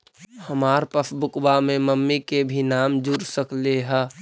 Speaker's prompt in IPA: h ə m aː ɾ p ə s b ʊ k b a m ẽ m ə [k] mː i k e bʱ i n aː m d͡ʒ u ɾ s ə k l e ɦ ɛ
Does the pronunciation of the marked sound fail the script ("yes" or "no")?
yes